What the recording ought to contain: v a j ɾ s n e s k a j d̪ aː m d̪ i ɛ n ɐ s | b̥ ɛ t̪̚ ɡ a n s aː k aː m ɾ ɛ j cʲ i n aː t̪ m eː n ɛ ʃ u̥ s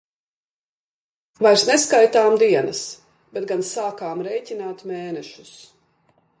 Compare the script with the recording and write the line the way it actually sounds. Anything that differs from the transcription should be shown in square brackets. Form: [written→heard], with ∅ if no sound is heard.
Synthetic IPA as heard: v a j ɾ s n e s k a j [d̪→t̪] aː m d̪ i ɛ n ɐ s | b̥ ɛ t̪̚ ɡ a n s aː k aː m ɾ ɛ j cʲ i n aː t̪ m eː n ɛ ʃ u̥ s